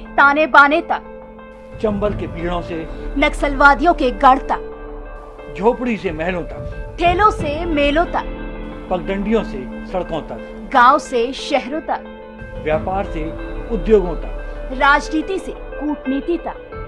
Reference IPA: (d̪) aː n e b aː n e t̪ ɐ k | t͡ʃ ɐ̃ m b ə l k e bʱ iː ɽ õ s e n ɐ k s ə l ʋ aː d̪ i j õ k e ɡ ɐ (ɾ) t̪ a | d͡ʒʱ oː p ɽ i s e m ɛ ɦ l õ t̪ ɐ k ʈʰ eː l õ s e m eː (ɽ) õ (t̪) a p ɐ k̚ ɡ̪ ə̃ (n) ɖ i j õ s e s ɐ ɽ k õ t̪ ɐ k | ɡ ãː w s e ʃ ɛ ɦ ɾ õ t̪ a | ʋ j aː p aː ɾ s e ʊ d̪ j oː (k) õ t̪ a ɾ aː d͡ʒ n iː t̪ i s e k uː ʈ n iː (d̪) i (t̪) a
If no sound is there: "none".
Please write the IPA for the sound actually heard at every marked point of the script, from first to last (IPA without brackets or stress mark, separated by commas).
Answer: t̪, ɽ, l, t̪, ɳ, ɡ, t̪, t̪